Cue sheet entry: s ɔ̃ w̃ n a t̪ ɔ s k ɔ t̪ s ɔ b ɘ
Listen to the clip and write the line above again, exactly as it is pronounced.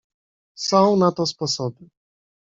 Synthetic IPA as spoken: s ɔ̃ w̃ n a t̪ ɔ s p ɔ s ɔ b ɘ

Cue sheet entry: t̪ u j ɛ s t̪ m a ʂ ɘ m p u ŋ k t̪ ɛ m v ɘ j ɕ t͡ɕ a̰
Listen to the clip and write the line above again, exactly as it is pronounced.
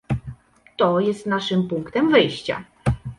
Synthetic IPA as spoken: t̪ ɔ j ɛ s t̪ n a ʂ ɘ m p u ŋ k t̪ ɛ m v ɘ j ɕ t͡ɕ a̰

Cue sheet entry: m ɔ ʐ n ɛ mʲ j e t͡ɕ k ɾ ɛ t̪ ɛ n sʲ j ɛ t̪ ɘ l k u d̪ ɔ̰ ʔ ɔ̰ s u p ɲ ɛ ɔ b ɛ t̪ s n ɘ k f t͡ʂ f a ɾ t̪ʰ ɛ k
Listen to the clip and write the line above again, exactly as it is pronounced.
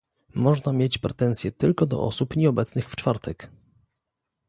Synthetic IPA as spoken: m ɔ ʐ n a mʲ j e t͡ɕ p ɾ ɛ t̪ ɛ n sʲ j ɛ t̪ ɘ l k ɔ d̪ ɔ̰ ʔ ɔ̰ s u p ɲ ɛ ɔ b ɛ t̪ s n ɘ x f t͡ʂ f a ɾ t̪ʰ ɛ k

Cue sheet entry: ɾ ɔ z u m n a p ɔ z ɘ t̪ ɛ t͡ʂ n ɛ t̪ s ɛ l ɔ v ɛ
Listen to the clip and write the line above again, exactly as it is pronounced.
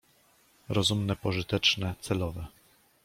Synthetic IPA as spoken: ɾ ɔ z u m n ɛ p ɔ ʐ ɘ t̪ ɛ t͡ʂ n ɛ t̪ s ɛ l ɔ v ɛ

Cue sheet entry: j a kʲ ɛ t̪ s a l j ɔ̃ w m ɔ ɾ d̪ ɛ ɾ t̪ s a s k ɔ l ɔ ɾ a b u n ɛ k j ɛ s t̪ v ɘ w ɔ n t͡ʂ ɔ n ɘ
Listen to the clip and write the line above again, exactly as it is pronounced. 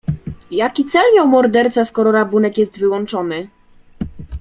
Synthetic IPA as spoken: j a kʲ i t̪ s ɛ l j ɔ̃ w m ɔ ɾ d̪ ɛ ɾ t̪ s a s k ɔ ɾ ɔ ɾ a b u n ɛ k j ɛ s t̪ v ɘ w ɔ n t͡ʂ ɔ n ɘ

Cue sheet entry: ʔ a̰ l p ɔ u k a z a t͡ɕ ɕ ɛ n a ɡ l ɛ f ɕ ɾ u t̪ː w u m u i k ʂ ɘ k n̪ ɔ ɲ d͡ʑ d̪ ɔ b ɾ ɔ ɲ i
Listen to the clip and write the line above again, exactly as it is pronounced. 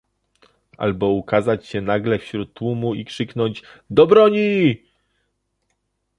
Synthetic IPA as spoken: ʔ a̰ l b ɔ u k a z a t͡ɕ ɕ ɛ n a ɡ l ɛ f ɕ ɾ u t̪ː w u m u i k ʂ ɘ k n̪ ɔ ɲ d͡ʑ d̪ ɔ b ɾ ɔ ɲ i

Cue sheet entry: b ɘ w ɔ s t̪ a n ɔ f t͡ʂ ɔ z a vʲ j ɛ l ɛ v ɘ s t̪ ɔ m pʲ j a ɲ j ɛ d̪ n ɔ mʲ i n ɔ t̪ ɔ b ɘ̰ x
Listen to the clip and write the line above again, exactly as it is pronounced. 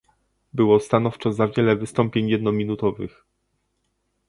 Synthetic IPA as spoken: b ɘ w ɔ s t̪ a n ɔ f t͡ʂ ɔ z a vʲ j ɛ l ɛ v ɘ s t̪ ɔ m pʲ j e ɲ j ɛ d̪ n ɔ mʲ i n u t̪ ɔ v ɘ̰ x

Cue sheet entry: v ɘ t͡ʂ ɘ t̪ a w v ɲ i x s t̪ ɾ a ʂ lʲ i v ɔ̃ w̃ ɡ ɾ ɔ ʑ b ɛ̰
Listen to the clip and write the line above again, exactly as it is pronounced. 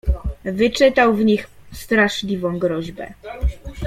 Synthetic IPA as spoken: v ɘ t͡ʂ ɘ t̪ a w v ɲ i x s t̪ ɾ a ʂ lʲ i v ɔ̃ w̃ ɡ ɾ ɔ ʑ b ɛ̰

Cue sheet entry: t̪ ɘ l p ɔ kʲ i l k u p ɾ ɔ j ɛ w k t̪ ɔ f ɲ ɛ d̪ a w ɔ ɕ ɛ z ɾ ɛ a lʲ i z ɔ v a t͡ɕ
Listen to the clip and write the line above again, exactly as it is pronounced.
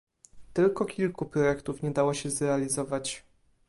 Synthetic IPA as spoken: t̪ ɘ l k ɔ kʲ i l k u p ɾ ɔ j ɛ k t̪ u f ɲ ɛ d̪ a w ɔ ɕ ɛ z ɾ ɛ a lʲ i z ɔ v a t͡ɕ

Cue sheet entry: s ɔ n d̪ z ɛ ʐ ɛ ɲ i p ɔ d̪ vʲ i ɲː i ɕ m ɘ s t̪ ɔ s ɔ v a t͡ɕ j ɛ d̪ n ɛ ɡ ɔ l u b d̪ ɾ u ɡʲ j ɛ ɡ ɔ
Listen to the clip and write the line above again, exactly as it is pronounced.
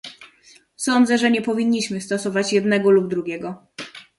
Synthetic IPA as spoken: s ɔ n d̪ z ɛ ʐ ɛ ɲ ɛ p ɔ vʲ i ɲː i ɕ m ɘ s t̪ ɔ s ɔ v a t͡ɕ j ɛ d̪ n ɛ ɡ ɔ l u b d̪ ɾ u ɡʲ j ɛ ɡ ɔ

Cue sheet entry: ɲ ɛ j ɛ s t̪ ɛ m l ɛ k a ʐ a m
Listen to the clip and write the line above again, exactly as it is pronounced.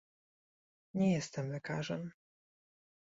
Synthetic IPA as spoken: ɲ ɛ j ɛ s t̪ ɛ m l ɛ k a ʐ ɛ m

